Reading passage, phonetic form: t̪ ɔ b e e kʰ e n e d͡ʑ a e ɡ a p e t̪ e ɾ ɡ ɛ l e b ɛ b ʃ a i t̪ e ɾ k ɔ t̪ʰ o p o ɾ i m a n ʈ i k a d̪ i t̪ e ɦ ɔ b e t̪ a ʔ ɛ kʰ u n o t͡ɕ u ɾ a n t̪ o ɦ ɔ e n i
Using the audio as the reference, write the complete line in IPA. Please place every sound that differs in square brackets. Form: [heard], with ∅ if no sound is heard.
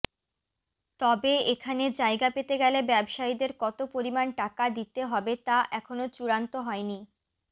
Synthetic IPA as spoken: t̪ ɔ b e e kʰ [a] n e d͡ʑ a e ɡ a p e t̪ e [∅] ɡ ɛ l e b ɛ b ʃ a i [d̪] e ɾ k ɔ [t̪] o p o ɾ i m a n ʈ [a] k a d̪ i t̪ e ɦ ɔ b e t̪ a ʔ ɛ kʰ [o] n o t͡ɕ u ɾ a n t̪ o ɦ ɔ e n i